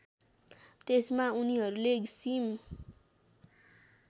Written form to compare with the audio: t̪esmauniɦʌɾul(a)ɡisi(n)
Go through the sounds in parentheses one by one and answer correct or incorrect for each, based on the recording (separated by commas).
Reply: incorrect, incorrect